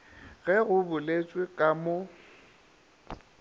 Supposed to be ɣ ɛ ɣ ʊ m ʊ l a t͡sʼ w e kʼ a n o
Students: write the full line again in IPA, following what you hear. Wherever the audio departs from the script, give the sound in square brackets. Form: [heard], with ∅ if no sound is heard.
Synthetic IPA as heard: ɣ ɛ ɣ ʊ [b] ʊ l [e] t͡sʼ w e kʼ a [m] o